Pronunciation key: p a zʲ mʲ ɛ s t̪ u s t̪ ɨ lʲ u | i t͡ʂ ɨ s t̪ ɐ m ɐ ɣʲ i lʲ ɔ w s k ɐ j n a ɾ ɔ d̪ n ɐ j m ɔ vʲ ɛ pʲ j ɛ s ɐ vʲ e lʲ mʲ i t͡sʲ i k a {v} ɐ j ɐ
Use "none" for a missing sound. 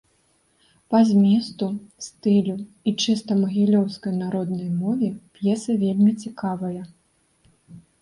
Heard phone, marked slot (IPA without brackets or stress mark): v